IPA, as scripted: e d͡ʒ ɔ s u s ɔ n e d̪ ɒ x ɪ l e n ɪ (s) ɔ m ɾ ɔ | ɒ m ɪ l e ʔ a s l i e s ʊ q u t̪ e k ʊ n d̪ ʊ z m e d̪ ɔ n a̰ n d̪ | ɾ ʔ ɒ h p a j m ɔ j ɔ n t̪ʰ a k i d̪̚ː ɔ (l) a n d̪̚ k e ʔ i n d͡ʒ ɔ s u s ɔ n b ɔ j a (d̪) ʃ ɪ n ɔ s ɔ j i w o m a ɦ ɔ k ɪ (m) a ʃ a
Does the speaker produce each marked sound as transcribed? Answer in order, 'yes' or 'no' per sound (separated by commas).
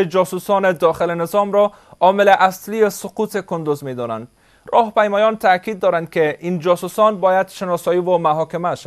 no, no, yes, yes